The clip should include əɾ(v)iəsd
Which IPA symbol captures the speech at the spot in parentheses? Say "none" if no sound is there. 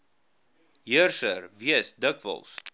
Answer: v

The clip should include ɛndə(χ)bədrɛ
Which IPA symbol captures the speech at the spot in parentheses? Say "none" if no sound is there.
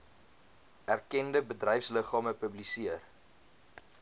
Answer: none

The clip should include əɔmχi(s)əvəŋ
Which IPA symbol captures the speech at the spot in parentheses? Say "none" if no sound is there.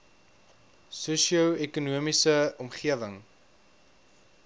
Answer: none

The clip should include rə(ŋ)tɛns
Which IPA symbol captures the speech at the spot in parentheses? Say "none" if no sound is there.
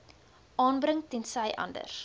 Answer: ŋ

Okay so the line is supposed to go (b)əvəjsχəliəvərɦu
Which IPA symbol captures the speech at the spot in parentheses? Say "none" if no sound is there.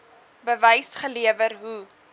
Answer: b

